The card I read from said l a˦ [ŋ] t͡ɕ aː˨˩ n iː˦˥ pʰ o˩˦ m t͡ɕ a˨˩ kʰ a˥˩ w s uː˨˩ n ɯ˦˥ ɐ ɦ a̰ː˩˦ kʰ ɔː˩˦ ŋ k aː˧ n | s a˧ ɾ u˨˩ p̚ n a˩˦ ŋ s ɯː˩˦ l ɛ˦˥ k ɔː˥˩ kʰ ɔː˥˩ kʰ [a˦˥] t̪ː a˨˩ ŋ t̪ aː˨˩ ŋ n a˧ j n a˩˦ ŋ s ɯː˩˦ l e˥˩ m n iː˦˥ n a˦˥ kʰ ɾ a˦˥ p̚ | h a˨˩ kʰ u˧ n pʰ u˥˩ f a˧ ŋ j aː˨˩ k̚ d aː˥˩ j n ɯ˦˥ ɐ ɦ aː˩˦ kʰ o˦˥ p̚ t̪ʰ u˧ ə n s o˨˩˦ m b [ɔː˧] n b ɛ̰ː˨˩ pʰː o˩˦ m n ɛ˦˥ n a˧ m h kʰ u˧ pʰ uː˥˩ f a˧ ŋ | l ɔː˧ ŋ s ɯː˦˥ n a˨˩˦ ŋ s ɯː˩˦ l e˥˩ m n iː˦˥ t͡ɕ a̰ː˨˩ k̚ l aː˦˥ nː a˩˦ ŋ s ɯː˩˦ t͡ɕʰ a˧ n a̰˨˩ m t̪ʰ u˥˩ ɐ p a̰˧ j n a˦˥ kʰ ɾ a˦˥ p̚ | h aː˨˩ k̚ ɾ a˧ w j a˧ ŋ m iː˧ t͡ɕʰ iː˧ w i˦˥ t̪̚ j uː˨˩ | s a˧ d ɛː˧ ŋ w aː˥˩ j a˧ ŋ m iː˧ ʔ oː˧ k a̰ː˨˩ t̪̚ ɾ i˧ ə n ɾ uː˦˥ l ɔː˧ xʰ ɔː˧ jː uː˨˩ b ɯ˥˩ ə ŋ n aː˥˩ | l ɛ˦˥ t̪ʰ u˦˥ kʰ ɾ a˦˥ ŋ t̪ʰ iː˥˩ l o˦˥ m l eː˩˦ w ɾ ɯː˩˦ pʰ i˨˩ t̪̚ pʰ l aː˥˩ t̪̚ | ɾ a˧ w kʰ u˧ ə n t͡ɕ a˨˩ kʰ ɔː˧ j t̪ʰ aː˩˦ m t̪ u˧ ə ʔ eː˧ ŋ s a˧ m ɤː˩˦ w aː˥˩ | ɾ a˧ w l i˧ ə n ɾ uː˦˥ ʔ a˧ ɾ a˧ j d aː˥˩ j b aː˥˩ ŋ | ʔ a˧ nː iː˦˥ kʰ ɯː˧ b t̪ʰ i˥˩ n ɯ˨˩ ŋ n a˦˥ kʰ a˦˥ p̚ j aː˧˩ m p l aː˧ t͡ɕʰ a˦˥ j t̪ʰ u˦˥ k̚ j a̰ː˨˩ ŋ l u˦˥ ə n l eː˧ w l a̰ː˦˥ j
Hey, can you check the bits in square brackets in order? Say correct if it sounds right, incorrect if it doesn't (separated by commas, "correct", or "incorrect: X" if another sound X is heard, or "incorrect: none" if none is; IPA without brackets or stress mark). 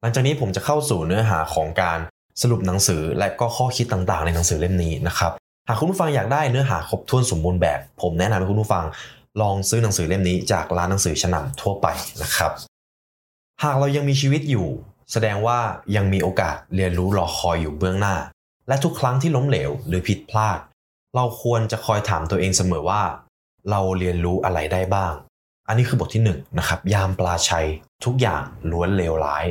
correct, incorrect: i˦˥, incorrect: uː˧